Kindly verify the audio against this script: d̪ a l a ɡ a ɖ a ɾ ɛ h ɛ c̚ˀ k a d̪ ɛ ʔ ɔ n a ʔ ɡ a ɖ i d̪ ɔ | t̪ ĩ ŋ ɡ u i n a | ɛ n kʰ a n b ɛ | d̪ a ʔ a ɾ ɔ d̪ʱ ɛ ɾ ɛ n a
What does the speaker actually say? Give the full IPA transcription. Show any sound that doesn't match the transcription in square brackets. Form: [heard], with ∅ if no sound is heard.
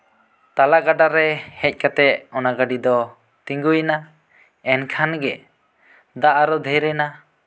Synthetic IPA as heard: [t̪] a l a ɡ a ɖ a ɾ ɛ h ɛ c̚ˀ k a [t̪] ɛ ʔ ɔ n a [∅] ɡ a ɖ i d̪ ɔ | t̪ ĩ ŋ ɡ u [j] n a | ɛ n kʰ a n [ɡ] ɛ | d̪ a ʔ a ɾ ɔ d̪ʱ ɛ ɾ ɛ n a